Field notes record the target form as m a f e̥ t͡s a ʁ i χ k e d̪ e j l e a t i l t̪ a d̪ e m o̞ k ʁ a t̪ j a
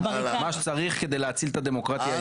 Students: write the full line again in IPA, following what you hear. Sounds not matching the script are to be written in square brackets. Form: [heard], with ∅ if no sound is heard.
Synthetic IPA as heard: m a [ʃ] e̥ t͡s a ʁ i χ k e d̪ e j l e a [t͡s] i l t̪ a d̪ e m o̞ k ʁ a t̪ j a

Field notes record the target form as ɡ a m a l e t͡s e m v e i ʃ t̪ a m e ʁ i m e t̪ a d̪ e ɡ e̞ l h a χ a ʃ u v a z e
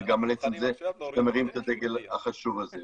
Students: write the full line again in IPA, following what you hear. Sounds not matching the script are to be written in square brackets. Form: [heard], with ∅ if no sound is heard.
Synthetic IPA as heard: ɡ a m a l e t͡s e m [z] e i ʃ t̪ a m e ʁ i m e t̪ a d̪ e ɡ e̞ l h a χ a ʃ u v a z e

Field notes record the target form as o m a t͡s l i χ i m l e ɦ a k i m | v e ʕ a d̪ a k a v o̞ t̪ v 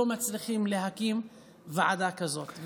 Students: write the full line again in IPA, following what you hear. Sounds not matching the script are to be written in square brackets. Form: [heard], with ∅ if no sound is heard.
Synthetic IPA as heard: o m a t͡s l i χ i m l e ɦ a k i m | v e ʕ a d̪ a k a [z] o̞ t̪ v

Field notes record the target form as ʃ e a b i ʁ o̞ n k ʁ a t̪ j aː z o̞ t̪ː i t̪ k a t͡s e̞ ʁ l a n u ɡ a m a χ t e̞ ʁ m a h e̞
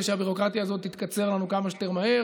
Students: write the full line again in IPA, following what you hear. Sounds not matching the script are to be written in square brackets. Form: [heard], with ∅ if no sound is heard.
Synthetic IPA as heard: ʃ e a b i ʁ o̞ [∅] k ʁ a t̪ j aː z o̞ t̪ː i t̪ k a t͡s e̞ ʁ l a n u [k] a m a [ʃ] t e̞ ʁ m a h e̞

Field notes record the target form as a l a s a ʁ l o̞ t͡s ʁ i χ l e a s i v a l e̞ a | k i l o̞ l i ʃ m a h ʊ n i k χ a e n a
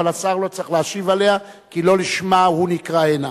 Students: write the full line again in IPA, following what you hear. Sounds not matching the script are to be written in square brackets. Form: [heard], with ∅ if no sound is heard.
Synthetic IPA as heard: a l a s a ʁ l o̞ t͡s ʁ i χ l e a [ʃ] i v a l e̞ a | k i l o̞ l i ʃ m a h [u] n i k [ʁ] a e n a

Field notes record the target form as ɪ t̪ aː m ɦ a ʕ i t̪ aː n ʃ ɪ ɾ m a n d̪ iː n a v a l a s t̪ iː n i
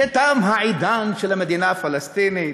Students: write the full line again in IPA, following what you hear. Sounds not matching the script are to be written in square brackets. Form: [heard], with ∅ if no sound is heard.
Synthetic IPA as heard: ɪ t̪ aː m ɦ a ʕ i [d̪] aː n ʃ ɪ [l] m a [∅] d̪ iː n a [f] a l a s t̪ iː n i

